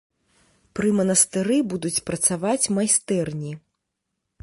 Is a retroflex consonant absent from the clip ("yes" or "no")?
yes